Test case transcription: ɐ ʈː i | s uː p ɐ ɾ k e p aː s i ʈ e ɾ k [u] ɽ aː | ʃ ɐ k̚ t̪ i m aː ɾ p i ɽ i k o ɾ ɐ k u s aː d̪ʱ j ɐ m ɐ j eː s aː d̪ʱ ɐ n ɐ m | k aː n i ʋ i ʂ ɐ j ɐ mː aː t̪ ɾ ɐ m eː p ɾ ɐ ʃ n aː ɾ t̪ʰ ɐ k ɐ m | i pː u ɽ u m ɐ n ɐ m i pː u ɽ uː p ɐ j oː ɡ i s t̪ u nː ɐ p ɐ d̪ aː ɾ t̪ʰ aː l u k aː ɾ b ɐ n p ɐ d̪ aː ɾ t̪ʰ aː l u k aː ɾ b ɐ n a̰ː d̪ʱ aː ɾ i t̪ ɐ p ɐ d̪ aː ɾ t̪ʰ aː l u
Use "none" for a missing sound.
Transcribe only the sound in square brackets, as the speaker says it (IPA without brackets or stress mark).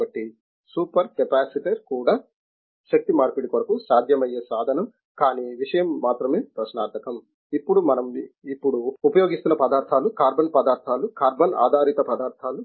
uː